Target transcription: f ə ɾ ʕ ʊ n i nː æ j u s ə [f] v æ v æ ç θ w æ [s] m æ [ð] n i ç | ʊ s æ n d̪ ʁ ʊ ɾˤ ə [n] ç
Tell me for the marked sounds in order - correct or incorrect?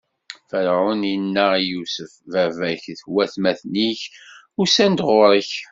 correct, incorrect: θ, incorrect: θ, incorrect: none

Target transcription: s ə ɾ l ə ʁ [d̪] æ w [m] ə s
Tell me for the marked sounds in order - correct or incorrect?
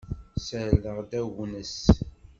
correct, incorrect: n

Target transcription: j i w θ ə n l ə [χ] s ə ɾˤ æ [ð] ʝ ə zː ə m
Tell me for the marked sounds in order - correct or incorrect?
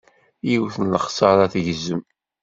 correct, incorrect: θ

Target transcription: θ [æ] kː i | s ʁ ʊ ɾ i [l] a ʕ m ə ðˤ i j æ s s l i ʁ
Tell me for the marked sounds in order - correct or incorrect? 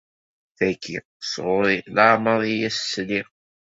correct, correct

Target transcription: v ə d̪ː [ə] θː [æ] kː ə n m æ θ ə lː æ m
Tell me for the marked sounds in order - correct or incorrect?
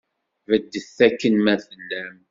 correct, correct

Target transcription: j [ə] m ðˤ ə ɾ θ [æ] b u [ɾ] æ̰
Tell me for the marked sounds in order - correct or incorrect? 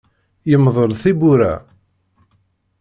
correct, incorrect: i, correct

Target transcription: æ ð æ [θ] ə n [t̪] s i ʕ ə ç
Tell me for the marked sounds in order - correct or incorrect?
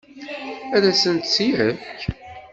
incorrect: s, correct

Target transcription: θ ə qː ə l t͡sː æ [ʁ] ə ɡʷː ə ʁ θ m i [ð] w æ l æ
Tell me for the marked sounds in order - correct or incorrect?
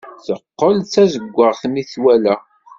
incorrect: z, incorrect: θ

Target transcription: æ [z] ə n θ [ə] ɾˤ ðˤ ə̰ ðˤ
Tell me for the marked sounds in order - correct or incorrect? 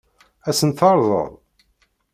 incorrect: s, incorrect: ɑ

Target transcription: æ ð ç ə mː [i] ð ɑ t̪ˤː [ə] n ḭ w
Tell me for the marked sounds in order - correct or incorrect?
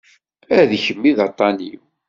correct, incorrect: ɑ

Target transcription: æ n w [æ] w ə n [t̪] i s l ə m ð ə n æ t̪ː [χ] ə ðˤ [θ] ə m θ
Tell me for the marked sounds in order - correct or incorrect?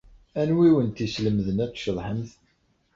incorrect: i, correct, incorrect: ʃ, incorrect: ħ

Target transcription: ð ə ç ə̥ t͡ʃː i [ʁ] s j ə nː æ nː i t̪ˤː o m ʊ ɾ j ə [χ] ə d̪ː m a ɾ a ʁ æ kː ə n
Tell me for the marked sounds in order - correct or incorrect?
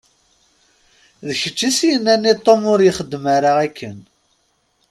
incorrect: none, correct

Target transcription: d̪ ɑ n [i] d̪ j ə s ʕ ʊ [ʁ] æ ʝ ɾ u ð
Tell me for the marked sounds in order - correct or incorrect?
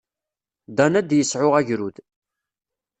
incorrect: æ, correct

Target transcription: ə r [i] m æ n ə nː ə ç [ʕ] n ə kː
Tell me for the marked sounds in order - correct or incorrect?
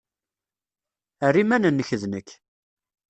correct, incorrect: ð

